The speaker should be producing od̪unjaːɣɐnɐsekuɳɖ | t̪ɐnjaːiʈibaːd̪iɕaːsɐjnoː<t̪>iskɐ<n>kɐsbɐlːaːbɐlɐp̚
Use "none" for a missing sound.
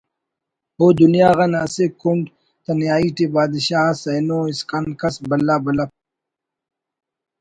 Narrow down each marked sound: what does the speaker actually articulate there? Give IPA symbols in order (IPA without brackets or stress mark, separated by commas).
none, n